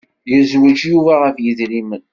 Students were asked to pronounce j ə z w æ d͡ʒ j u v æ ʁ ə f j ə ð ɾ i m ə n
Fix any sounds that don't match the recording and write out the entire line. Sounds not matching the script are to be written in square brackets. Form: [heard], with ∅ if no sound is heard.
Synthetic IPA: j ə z w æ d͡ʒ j u v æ ʁ ə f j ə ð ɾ i m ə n